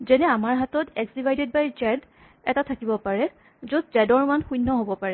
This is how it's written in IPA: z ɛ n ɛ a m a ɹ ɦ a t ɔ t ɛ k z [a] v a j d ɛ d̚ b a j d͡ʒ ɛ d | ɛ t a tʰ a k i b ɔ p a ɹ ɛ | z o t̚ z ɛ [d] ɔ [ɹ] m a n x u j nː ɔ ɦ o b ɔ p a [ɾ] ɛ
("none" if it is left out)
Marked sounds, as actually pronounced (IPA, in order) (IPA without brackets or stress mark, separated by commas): i, d, ɹ, ɹ